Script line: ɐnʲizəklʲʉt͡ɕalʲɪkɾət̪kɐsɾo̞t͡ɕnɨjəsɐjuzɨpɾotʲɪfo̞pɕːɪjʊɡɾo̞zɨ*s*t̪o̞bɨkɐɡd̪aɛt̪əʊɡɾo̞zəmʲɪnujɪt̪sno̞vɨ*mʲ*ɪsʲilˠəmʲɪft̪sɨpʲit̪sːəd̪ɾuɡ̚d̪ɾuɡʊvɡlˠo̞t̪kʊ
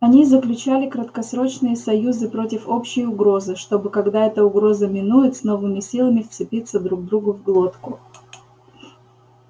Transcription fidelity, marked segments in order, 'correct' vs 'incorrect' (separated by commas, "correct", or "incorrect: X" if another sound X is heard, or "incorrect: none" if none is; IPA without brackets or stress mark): incorrect: ʂ, correct